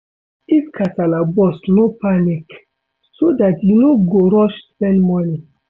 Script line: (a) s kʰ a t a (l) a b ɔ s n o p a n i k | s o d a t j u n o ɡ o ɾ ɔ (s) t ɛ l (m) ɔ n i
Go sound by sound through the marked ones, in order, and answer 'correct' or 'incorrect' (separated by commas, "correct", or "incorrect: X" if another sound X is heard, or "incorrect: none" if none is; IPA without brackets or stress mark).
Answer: incorrect: i, correct, incorrect: ʃ, correct